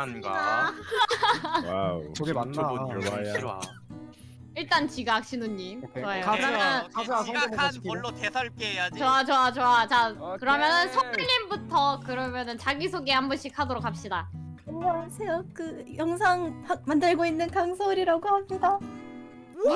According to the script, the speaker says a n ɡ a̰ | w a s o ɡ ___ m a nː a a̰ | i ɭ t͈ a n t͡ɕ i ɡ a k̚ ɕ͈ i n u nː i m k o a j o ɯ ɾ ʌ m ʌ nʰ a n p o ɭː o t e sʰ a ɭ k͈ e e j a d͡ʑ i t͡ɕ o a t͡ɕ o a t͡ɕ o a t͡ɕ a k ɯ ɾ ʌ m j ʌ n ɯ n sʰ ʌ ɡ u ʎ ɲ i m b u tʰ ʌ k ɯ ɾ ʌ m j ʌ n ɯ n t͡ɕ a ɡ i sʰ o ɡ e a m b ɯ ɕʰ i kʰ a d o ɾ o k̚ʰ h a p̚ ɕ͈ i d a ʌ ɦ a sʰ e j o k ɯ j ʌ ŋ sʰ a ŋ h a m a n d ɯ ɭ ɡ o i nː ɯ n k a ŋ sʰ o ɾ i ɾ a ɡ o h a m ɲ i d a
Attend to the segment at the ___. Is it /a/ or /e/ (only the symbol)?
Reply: e